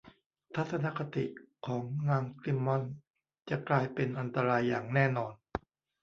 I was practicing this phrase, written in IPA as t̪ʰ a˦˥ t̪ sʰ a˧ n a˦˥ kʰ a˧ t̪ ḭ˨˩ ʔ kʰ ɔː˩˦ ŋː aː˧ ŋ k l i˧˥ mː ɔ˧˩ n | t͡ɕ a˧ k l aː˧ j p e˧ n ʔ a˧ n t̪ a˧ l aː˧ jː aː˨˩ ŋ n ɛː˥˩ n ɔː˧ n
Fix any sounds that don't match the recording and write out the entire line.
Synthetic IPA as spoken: t̪ʰ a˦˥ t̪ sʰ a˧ n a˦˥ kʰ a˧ t̪ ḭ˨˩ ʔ kʰ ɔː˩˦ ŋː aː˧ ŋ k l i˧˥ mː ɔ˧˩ n | t͡ɕ a˨˩ k l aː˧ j p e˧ n ʔ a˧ n t̪ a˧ ɾ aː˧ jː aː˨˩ ŋ n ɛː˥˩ n ɔː˧ n